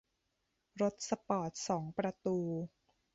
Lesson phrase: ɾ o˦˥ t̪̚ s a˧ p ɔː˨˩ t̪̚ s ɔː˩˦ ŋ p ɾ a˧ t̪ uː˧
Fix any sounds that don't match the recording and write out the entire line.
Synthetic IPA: ɾ o˦˥ t̪̚ s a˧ p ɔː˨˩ t̪̚ s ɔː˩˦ ŋ p ɾ a˧ t̪ uː˧